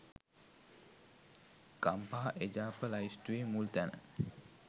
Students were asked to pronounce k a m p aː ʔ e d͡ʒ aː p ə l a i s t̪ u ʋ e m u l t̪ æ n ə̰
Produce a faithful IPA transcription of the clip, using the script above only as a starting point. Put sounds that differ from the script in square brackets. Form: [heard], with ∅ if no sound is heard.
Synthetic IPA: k a m p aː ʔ e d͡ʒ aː p ə l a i s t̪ u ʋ e m u l t̪ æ n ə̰